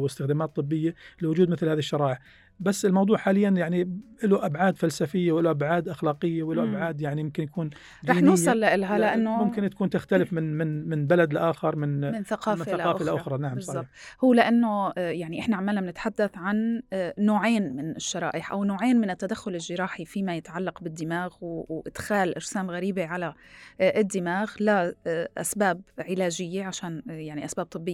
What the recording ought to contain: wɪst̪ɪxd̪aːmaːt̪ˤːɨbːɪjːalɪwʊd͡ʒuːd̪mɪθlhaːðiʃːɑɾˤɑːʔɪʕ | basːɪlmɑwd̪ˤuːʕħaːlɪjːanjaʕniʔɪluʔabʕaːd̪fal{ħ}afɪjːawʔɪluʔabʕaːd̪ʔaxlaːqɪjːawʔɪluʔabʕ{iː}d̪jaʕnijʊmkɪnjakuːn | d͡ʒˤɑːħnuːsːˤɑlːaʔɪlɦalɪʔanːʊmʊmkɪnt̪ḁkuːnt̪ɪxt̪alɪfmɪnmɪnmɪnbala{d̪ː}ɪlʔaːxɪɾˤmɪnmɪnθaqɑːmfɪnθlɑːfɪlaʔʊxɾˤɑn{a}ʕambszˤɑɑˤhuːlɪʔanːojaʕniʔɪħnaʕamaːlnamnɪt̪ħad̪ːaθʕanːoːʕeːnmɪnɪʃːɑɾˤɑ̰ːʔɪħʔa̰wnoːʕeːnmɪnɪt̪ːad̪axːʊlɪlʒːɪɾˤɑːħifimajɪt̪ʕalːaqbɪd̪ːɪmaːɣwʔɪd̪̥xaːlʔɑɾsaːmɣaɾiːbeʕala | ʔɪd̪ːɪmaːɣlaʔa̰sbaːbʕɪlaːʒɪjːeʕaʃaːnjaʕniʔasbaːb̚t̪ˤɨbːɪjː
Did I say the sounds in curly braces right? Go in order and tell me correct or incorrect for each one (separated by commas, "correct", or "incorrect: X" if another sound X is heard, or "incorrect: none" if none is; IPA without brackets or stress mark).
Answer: incorrect: s, incorrect: aː, incorrect: d̪, correct